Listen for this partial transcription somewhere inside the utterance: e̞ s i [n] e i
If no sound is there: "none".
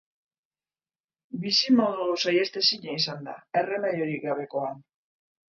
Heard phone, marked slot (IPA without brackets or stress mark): ɲ